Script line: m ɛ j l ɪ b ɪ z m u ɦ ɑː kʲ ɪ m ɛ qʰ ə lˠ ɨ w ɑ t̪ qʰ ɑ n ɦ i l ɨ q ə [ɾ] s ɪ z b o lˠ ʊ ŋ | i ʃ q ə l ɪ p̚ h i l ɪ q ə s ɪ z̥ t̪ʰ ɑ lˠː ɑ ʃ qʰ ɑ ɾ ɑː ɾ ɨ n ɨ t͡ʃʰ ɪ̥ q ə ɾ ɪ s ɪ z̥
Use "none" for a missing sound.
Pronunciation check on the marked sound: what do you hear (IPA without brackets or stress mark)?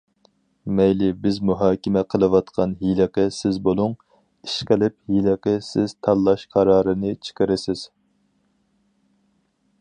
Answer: none